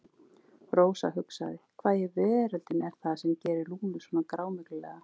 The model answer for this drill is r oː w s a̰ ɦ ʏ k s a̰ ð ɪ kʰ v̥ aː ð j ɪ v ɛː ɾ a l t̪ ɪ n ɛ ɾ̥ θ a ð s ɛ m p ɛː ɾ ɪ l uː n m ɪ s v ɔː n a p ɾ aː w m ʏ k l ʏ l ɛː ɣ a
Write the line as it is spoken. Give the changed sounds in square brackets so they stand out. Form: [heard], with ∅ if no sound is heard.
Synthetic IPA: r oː w s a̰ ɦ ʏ k s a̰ ð ɪ kʰ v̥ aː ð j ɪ v ɛː ɾ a l t̪ ɪ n ɛ ɾ̥ θ a ð s ɛ m [c] ɛː ɾ ɪ l uː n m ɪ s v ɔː n a [k] ɾ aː w m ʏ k l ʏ l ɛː ɣ a

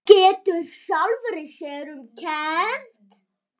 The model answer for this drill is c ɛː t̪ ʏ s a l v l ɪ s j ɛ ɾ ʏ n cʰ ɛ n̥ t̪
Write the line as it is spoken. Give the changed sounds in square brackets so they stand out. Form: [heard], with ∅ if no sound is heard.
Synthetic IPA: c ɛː t̪ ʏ s a l v [ɾ] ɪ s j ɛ ɾ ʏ [m] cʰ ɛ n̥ t̪

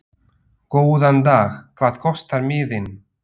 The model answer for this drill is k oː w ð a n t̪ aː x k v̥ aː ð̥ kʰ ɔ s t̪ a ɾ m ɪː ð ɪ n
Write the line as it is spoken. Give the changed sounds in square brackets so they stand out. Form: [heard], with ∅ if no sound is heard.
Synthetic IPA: k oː w ð a n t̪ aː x [kʰ] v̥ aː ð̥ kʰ ɔ s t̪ a ɾ m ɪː ð ɪ n

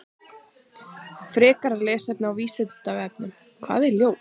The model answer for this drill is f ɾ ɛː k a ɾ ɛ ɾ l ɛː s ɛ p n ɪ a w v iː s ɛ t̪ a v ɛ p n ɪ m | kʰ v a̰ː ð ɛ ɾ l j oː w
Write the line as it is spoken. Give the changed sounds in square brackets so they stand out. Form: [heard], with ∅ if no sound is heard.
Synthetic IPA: f ɾ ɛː k a ɾ [a] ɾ l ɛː s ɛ p n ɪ a w v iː s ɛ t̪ a v ɛ p n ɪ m | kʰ v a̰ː ð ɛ ɾ l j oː w

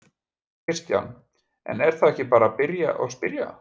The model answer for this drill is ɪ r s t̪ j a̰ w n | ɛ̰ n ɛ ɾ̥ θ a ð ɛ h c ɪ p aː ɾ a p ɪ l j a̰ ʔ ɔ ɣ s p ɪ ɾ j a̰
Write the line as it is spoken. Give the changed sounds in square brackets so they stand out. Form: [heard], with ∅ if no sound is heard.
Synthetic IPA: ɪ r s t̪ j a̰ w n | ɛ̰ n ɛ ɾ̥ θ a ð ɛ h c ɪ p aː ɾ a p ɪ [ɾ] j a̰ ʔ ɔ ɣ s p ɪ ɾ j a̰

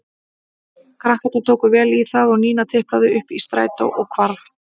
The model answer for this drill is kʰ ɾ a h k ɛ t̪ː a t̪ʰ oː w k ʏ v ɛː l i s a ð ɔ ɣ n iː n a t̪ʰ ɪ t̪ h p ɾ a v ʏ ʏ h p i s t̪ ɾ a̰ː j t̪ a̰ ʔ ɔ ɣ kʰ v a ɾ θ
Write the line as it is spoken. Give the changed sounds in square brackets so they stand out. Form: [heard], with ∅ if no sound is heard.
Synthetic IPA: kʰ ɾ a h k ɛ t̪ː a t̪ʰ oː w k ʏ v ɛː l i [θ] a ð ɔ ɣ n iː n a t̪ʰ ɪ [∅] h p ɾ a [ð] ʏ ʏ h p i s t̪ ɾ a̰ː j t̪ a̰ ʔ ɔ ɣ kʰ v a ɾ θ

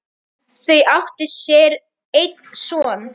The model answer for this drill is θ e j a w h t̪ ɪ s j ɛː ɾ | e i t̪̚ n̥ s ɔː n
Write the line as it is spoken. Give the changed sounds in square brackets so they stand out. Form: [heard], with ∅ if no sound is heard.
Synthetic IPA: θ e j a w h t̪ ɪ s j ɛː ɾ | e [j] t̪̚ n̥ s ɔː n

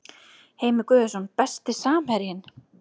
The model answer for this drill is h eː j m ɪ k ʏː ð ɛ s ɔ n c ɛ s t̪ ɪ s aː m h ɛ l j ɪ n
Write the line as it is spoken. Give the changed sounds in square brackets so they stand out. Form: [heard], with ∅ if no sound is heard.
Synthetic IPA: h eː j m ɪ k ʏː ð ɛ s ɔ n [p] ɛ s t̪ ɪ s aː m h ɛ [ɾ] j ɪ n

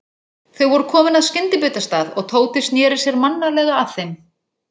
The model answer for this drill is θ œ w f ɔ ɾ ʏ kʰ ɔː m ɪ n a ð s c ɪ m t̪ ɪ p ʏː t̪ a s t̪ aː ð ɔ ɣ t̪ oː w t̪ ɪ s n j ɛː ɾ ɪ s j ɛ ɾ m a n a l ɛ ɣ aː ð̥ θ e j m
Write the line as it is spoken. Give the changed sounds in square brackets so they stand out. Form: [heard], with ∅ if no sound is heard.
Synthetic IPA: θ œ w [v] ɔ ɾ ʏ kʰ ɔː m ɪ n a ð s c ɪ [n] t̪ ɪ p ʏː t̪ a s t̪ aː ð ɔ ɣ [t̪ʰ] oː w t̪ ɪ s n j ɛː ɾ ɪ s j ɛ ɾ m a [nː] a l ɛ ɣ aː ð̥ θ e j m

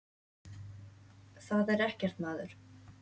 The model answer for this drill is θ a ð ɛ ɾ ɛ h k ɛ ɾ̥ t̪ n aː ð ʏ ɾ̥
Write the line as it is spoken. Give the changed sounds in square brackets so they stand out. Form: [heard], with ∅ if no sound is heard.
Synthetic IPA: θ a ð ɛ ɾ ɛ h [c] ɛ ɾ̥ t̪ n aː ð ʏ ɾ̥

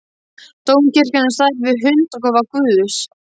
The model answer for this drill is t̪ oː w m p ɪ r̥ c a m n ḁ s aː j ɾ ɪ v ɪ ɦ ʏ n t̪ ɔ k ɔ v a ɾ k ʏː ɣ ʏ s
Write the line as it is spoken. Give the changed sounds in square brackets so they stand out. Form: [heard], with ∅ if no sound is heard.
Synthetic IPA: t̪ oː w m [c] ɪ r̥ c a [∅] n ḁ s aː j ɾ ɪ v ɪ ɦ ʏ n t̪ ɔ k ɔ v a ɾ k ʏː [ð] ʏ s

